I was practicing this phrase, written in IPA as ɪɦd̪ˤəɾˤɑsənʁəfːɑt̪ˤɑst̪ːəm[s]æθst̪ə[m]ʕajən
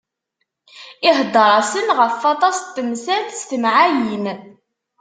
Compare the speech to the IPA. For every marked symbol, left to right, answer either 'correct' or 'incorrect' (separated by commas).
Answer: correct, correct